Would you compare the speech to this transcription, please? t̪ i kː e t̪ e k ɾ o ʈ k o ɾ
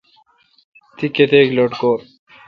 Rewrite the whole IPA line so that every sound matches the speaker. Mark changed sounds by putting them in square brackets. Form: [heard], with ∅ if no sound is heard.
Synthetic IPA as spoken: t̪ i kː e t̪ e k [l] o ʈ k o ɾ